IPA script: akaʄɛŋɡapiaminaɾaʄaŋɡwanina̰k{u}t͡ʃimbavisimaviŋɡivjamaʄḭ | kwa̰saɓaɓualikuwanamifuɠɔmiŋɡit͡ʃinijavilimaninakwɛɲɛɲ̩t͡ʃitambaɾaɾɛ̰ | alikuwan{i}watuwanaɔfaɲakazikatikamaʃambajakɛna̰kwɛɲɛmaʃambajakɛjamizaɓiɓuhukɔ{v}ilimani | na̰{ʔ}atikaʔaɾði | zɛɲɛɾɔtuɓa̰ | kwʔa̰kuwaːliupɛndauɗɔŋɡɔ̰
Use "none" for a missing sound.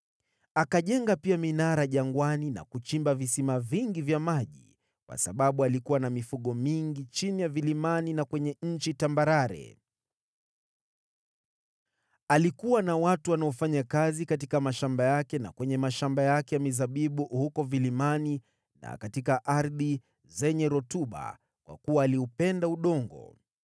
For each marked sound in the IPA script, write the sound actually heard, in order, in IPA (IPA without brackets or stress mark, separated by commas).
u, a, v, k